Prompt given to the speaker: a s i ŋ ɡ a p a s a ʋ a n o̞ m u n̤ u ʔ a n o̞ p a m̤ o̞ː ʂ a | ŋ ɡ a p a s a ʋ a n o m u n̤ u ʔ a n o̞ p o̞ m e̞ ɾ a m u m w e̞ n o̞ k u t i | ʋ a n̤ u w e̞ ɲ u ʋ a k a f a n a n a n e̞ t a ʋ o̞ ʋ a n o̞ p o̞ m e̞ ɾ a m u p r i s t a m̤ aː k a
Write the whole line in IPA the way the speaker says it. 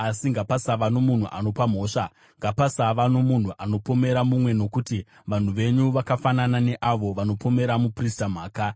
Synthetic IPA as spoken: a s i ŋ ɡ a p a s a ʋ a n o̞ m u n̤ u ʔ a n o̞ p a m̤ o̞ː ʂ a | ŋ ɡ a p a s a ʋ a n o m u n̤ u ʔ a n o̞ p o̞ m e̞ ɾ a m u m w e̞ n o̞ k u t i | ʋ a n̤ u ʋ e̞ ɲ u ʋ a k a f a n a n a n e̞ ʔ a ʋ o̞ ʋ a n o̞ p o̞ m e̞ ɾ a m u p r i s t a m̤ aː k a